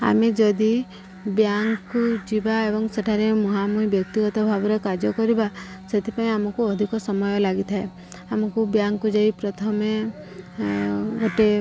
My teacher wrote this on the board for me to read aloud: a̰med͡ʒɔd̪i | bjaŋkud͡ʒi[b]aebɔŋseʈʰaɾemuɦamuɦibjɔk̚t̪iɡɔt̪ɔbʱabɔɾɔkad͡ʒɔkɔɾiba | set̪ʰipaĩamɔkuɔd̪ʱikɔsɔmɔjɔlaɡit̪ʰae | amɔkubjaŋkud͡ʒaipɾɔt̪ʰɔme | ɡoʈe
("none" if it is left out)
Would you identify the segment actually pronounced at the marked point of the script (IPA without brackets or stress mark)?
b